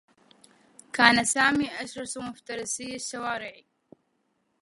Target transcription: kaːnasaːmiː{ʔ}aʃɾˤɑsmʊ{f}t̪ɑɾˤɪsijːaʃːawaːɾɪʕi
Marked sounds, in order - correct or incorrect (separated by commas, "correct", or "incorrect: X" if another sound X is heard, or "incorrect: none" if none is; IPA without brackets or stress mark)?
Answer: correct, correct